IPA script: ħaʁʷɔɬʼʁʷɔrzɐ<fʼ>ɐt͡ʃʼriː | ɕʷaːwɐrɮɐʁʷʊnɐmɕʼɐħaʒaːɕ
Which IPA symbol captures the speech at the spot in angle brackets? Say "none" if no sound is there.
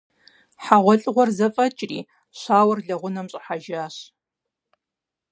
fʼ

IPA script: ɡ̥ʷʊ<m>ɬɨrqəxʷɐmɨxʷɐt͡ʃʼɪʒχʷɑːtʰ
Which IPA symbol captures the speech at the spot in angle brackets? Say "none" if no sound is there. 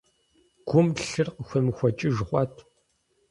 m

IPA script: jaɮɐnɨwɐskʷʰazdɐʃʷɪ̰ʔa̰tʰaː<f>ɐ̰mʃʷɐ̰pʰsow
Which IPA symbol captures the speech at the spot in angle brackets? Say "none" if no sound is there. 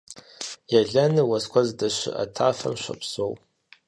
f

